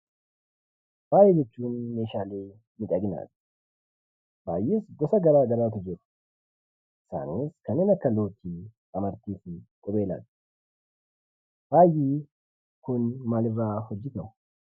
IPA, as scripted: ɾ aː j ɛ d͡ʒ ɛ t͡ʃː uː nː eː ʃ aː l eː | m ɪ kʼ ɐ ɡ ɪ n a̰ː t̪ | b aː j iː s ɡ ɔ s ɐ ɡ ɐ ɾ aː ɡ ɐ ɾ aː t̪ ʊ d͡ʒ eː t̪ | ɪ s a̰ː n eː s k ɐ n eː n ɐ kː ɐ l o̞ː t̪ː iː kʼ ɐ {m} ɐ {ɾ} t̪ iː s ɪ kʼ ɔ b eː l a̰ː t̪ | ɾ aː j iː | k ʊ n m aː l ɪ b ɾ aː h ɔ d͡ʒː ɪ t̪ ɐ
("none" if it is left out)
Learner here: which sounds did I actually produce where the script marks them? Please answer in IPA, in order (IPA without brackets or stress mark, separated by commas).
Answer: m, ɾ